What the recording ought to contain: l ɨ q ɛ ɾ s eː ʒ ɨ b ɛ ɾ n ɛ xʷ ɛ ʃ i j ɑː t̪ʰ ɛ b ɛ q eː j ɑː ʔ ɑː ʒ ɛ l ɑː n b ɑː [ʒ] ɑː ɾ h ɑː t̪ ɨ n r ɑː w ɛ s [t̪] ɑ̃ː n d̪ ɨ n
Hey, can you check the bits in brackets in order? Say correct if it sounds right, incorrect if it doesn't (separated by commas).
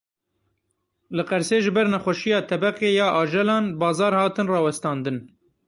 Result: incorrect, correct